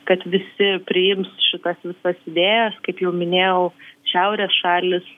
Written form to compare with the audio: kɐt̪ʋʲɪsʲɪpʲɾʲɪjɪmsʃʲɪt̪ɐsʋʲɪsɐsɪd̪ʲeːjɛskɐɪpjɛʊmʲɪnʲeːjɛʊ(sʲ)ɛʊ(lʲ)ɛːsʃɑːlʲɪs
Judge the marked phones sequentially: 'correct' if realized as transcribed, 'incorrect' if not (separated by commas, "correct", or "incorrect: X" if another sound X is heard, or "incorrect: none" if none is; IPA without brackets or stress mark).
incorrect: ʃʲ, incorrect: ɾʲ